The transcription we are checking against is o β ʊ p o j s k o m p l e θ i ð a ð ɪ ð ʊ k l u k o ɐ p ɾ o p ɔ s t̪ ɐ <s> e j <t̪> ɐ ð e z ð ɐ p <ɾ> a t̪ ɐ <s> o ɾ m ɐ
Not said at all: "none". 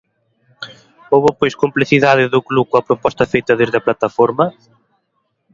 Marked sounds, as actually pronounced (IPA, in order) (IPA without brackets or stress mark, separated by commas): f, t̪, l, f